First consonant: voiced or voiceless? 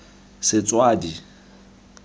voiceless